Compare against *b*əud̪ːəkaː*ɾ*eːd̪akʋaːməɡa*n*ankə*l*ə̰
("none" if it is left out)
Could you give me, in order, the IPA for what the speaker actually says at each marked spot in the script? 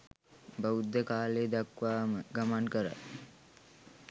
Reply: b, l, m, ɾ

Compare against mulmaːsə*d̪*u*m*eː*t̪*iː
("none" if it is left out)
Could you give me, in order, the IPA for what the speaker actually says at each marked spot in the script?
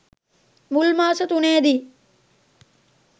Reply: t̪, n, d̪

